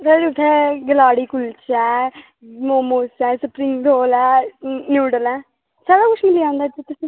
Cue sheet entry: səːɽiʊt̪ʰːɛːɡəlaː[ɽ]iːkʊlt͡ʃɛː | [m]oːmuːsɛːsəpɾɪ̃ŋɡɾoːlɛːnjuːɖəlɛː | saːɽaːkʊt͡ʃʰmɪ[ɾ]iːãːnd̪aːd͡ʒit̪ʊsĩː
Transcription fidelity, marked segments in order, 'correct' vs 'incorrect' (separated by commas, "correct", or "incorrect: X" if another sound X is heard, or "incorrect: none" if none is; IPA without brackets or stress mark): correct, correct, incorrect: l